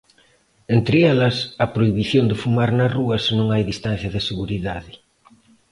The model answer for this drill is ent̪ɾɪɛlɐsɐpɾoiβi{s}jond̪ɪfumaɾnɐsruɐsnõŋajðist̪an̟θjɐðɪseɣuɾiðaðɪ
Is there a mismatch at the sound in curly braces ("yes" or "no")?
yes